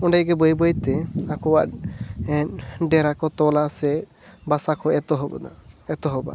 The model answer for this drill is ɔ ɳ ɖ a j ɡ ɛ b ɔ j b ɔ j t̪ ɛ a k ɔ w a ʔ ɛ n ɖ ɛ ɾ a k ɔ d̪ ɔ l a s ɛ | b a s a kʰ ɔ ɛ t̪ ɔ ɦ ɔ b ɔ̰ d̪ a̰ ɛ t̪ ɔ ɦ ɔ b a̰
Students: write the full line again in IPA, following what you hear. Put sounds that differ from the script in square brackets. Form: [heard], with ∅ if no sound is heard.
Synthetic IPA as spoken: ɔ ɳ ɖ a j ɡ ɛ b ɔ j b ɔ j t̪ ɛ a k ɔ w a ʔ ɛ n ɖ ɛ ɾ a k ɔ [t̪] ɔ l a s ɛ | b a s a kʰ ɔ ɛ t̪ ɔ ɦ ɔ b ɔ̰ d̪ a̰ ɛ t̪ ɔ ɦ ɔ b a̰